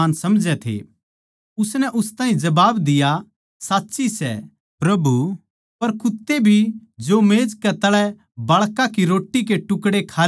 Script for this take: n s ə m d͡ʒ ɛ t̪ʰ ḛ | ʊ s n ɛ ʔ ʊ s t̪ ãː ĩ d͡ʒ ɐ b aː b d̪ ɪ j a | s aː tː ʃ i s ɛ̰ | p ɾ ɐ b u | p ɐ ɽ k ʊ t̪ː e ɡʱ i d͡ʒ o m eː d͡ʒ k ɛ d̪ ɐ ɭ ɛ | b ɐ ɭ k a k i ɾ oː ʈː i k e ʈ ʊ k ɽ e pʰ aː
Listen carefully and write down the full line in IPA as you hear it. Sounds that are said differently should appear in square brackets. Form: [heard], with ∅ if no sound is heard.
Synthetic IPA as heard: n s [ɐ] m d͡ʒ ɛ t̪ʰ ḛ | ʊ s n ɛ ʔ ʊ s t̪ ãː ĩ d͡ʒ ɐ b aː b d̪ ɪ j a | s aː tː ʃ i s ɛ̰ | p ɾ ɐ b u | p ɐ [ɾ] k ʊ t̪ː e [bʱ] i d͡ʒ o m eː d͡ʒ k ɛ [t̪] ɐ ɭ ɛ | b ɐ ɭ k a k i ɾ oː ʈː i k e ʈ ʊ k ɽ e [kʰ] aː